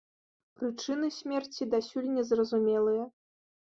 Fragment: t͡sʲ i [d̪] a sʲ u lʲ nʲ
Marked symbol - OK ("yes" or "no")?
yes